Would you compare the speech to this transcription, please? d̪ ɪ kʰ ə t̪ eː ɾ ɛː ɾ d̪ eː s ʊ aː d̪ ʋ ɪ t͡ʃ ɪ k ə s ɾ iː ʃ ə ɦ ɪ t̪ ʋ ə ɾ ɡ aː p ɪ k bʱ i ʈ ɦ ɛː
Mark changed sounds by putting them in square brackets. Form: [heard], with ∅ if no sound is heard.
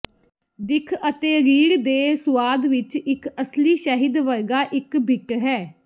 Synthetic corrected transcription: d̪ ɪ kʰ ə t̪ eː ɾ [iː] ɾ d̪ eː s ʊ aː d̪ ʋ ɪ t͡ʃ ɪ k ə s [l] iː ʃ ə ɦ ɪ [d̪] ʋ ə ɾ ɡ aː [ʔ] ɪ k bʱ [ɪ] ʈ ɦ ɛː